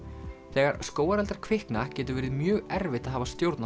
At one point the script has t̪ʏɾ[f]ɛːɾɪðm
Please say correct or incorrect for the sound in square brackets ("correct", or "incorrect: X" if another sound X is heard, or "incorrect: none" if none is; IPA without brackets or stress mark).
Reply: incorrect: v